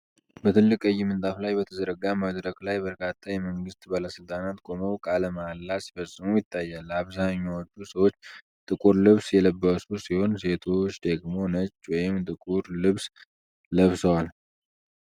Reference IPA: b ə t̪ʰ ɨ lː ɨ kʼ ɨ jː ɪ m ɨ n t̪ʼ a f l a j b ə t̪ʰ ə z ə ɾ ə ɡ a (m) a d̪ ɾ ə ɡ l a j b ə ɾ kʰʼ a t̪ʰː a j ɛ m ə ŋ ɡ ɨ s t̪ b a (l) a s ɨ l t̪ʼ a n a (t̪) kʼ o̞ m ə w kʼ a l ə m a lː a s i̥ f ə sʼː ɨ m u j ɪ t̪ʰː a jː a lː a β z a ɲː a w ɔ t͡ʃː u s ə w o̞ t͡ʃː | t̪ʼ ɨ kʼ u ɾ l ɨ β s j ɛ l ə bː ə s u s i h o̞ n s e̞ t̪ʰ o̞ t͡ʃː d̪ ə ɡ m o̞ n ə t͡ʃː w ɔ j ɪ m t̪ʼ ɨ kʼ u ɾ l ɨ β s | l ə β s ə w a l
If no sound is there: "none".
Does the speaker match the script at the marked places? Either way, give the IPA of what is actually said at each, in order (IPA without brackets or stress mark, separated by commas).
m, l, t̪